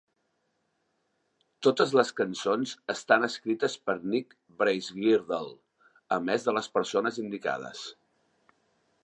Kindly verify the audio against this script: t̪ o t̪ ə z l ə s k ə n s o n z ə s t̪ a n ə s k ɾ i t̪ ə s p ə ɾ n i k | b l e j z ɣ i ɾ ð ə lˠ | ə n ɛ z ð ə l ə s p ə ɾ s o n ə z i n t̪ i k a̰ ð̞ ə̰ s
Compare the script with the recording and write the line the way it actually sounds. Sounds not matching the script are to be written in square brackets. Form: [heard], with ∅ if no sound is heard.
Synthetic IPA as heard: t̪ o t̪ ə z l ə s k ə n s o n z ə s t̪ a n ə s k ɾ i t̪ ə s p ə ɾ n i k | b [ɾ] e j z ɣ i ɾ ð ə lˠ | ə [m] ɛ z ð ə l ə s p ə ɾ s o n ə z i n [d̪] i k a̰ ð̞ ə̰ s